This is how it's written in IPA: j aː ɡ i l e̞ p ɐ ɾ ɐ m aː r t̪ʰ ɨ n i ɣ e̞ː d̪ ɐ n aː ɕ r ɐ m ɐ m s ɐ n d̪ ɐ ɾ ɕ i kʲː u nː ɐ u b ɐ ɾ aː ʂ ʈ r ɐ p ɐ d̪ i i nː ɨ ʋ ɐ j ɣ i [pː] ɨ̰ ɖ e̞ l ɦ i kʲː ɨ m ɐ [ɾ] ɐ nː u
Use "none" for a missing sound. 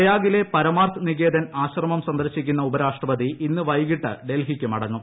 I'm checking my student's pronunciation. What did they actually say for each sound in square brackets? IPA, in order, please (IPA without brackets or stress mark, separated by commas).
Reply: ʈː, ɽ